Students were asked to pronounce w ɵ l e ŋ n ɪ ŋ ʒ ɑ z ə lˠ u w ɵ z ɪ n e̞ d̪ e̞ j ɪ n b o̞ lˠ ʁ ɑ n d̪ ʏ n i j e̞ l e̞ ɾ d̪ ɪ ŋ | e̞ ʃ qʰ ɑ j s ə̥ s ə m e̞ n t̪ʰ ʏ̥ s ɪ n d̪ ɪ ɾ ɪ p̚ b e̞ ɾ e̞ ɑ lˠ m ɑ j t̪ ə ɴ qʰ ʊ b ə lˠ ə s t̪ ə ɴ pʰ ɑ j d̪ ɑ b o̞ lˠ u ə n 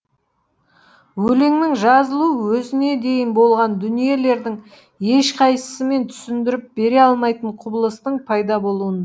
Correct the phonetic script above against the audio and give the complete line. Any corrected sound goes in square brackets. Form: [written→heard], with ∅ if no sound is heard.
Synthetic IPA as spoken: w ɵ l e ŋ n ɪ ŋ ʒ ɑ z ə lˠ u w ɵ z ɪ n e̞ d̪ e̞ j ɪ n b o̞ lˠ ʁ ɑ n d̪ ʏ n i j e̞ l e̞ ɾ d̪ ɪ ŋ | e̞ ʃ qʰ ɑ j s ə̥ s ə m e̞ n t̪ʰ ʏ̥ s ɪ n d̪ ɪ ɾ ɪ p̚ b e̞ ɾ e̞ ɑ lˠ m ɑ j t̪ ə ɴ qʰ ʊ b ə lˠ ə s t̪ ə ɴ pʰ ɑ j d̪ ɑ b o̞ lˠ u ə n